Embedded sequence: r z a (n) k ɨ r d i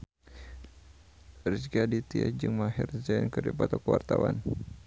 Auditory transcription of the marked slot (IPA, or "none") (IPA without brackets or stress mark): n